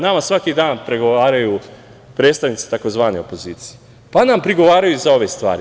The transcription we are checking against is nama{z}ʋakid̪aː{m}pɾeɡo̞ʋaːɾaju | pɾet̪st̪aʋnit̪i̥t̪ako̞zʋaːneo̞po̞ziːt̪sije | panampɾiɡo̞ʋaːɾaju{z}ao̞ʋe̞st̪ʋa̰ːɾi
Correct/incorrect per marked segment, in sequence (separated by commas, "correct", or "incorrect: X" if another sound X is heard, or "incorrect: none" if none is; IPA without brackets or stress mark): incorrect: s, incorrect: n, correct